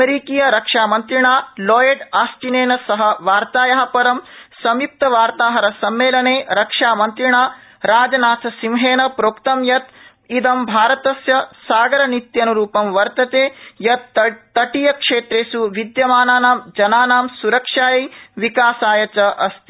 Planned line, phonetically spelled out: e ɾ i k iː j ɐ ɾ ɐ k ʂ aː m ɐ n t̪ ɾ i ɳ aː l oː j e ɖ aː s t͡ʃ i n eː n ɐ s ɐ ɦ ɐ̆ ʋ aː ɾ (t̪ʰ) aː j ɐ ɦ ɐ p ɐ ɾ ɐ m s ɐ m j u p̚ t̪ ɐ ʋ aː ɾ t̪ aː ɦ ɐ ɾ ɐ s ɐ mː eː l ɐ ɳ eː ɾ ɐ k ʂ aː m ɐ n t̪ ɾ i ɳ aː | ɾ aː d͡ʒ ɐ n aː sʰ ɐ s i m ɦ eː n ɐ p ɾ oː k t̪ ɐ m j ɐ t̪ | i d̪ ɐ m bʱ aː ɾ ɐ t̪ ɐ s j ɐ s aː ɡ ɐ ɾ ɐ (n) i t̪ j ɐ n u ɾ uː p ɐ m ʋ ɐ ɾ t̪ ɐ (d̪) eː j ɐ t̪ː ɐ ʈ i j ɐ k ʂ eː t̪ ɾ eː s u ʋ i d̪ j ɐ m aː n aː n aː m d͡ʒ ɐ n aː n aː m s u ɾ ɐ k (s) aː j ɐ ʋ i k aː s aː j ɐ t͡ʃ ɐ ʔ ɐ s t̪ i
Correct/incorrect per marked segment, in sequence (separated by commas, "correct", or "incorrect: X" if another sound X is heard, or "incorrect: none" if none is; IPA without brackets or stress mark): incorrect: t̪, correct, incorrect: t̪, incorrect: ʂ